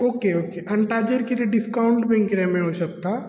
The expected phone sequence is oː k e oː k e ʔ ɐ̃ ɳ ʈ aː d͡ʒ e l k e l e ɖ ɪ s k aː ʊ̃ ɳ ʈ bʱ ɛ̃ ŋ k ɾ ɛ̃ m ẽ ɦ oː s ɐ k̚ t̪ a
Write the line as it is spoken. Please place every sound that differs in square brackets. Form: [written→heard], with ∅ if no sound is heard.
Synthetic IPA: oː k e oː k e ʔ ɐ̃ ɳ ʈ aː d͡ʒ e [l→ɾ] k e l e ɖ ɪ s k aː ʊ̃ ɳ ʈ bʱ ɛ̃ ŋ k ɾ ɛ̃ m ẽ ɦ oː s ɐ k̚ t̪ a